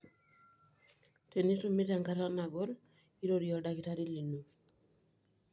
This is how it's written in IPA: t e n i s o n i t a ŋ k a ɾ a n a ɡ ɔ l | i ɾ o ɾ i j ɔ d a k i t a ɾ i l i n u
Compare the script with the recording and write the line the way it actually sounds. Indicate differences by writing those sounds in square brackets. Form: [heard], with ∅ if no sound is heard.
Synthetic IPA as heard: t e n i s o [m] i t a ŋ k a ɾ a n a ɡ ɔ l | i ɾ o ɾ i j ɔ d a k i t a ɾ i l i n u